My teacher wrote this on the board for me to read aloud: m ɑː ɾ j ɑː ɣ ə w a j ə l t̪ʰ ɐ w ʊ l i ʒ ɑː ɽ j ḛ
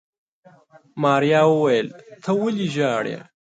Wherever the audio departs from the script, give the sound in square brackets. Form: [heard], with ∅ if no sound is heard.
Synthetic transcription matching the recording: m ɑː ɾ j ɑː [w] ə w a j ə l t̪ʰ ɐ w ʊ l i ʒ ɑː ɽ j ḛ